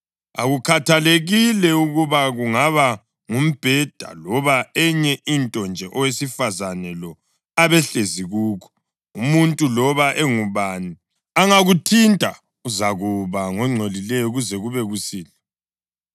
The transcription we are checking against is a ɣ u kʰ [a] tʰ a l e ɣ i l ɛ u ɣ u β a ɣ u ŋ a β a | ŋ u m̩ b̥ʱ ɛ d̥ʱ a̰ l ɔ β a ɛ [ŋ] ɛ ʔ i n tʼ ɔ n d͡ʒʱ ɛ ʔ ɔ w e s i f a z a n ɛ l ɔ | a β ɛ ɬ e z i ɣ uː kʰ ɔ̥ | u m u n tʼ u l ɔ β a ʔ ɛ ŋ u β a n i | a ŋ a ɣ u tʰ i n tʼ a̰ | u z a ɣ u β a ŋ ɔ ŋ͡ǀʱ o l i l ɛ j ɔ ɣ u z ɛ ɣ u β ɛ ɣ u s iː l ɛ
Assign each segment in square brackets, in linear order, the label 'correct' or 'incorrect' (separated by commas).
correct, incorrect